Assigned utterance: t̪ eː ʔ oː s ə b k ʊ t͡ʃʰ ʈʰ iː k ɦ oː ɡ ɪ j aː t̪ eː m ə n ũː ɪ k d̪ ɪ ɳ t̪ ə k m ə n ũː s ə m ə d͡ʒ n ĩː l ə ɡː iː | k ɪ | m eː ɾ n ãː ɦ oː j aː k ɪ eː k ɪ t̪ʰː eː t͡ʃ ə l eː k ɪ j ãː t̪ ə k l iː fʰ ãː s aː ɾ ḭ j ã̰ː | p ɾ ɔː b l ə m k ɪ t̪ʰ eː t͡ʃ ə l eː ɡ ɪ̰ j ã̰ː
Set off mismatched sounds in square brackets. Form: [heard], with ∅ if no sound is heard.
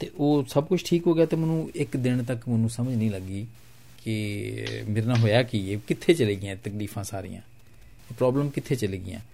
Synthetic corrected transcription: t̪ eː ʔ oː s ə b k ʊ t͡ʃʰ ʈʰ iː k ɦ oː ɡ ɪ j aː t̪ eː m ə n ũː ɪ k d̪ ɪ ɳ t̪ ə k m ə n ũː s ə m ə d͡ʒ n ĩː l ə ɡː iː | k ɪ | m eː ɾ n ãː ɦ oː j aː k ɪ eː k ɪ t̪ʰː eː t͡ʃ ə l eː [ɡ] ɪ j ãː t̪ ə k l iː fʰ ãː s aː ɾ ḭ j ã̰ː | p ɾ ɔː b l ə m k ɪ t̪ʰ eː t͡ʃ ə l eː ɡ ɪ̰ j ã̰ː